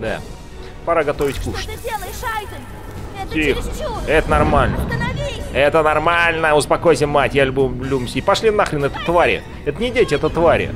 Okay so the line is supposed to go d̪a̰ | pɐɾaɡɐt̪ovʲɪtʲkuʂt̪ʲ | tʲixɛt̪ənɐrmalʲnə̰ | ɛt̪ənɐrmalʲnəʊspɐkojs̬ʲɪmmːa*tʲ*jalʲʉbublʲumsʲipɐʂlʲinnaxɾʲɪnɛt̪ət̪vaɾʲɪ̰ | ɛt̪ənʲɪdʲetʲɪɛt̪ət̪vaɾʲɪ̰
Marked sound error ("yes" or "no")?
no